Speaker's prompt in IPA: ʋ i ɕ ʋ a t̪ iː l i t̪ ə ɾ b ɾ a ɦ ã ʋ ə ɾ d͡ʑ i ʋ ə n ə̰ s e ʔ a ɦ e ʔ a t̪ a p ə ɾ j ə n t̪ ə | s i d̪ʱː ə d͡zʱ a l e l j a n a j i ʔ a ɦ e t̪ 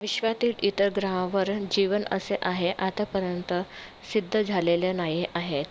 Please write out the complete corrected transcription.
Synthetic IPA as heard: ʋ i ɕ ʋ a t̪ iː l i t̪ ə ɾ ɡ ɾ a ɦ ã ʋ ə ɾ d͡ʑ i ʋ ə n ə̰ s e ʔ a ɦ e ʔ a t̪ a p ə ɾ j ə n t̪ ə | s i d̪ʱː ə d͡zʱ a l e l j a n a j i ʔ a ɦ e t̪